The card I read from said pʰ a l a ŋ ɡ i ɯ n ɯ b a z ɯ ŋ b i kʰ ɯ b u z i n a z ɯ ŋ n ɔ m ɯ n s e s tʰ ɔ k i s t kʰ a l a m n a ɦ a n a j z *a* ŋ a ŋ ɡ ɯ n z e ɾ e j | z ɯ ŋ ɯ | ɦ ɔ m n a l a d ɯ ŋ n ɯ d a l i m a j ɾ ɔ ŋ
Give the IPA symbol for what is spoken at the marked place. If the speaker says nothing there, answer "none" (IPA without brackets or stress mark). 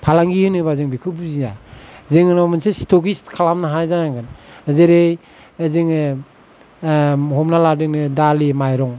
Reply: a